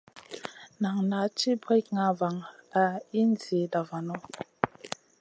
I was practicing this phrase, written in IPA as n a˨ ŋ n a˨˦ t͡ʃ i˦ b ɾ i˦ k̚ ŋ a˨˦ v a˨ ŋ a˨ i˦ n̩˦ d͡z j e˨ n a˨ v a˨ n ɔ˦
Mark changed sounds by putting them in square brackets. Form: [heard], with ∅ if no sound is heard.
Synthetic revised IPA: n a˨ ŋ n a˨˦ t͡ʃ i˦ b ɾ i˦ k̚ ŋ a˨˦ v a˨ ŋ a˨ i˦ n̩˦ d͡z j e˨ [d] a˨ v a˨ n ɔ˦